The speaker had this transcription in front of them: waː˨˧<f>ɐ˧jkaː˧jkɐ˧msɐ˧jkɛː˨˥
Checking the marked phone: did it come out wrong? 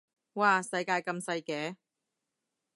yes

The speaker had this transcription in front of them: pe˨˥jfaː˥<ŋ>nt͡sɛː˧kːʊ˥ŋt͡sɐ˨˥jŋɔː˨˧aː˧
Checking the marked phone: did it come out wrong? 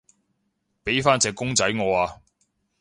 yes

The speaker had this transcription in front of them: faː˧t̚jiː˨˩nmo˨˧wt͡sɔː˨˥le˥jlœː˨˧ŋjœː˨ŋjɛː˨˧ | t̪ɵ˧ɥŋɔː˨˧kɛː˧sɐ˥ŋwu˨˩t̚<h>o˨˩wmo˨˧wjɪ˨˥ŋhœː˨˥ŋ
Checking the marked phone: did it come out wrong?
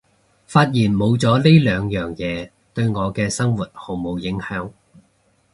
no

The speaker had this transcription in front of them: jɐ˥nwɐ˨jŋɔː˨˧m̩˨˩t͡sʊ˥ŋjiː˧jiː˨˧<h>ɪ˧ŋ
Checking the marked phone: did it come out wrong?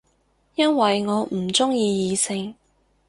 yes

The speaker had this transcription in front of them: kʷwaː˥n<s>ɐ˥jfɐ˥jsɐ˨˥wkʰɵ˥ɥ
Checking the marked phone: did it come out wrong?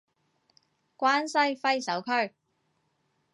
no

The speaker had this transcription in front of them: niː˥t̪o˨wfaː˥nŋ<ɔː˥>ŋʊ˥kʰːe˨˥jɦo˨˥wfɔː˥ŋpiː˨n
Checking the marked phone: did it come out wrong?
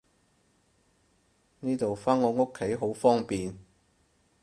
yes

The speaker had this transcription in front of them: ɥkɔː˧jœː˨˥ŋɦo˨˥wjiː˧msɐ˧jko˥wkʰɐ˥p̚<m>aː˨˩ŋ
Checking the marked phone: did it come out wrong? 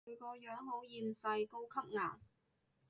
yes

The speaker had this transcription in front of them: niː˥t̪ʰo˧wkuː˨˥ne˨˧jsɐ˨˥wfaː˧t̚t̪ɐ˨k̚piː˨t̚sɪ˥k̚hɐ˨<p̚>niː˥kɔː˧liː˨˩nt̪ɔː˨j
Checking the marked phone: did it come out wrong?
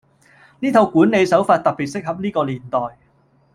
no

